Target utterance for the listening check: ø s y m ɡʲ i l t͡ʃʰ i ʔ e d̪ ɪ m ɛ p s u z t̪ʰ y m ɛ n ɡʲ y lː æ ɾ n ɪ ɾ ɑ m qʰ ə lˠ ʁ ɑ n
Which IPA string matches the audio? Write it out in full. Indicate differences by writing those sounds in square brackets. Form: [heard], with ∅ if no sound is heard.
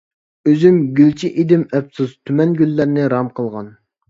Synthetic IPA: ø [z] y m ɡʲ [y] l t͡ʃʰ i ʔ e d̪ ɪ m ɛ p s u z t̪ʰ y m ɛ n ɡʲ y lː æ ɾ n ɪ ɾ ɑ m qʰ ə lˠ ʁ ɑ n